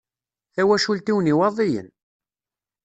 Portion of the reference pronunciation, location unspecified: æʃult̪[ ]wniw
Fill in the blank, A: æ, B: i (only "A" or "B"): B